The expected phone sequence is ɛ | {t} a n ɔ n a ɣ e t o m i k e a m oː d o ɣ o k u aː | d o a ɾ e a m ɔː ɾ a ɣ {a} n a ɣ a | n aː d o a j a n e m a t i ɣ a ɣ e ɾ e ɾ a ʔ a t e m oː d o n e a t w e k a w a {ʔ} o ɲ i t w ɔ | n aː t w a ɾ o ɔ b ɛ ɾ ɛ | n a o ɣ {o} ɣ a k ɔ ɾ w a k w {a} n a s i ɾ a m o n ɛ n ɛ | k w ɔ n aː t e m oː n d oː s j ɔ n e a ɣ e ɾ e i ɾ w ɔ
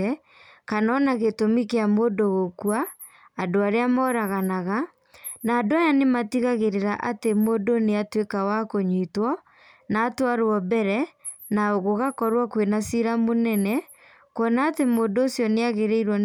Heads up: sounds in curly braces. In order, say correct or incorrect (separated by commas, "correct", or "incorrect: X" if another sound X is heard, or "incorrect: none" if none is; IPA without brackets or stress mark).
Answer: incorrect: k, correct, incorrect: k, correct, incorrect: e